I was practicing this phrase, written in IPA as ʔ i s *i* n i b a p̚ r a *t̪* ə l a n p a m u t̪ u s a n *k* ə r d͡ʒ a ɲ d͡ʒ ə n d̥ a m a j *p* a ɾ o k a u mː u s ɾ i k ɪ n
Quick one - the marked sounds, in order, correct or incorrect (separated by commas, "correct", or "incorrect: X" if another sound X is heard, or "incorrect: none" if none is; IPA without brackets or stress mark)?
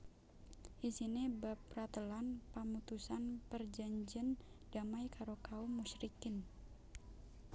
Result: correct, correct, incorrect: p, incorrect: k